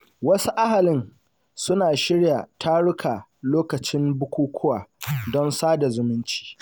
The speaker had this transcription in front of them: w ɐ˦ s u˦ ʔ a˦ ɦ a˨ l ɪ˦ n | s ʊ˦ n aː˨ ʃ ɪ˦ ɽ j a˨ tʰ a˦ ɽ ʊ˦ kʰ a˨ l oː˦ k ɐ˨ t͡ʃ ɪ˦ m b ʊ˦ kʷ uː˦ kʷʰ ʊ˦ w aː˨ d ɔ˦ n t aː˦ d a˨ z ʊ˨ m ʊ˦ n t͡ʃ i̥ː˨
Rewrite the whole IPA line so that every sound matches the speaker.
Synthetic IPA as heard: w ɐ˦ s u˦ ʔ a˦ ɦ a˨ l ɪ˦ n | s ʊ˦ n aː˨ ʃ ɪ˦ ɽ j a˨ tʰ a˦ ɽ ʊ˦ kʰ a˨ l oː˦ k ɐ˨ t͡ʃ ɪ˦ m b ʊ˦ kʷ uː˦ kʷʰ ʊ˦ w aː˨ d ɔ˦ n s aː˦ d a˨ z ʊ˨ m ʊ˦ n t͡ʃ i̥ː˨